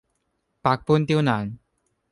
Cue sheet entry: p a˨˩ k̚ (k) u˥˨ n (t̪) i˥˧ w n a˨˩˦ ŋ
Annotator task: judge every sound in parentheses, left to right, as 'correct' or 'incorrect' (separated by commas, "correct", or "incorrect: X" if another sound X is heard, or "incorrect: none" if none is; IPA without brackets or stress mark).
incorrect: p, correct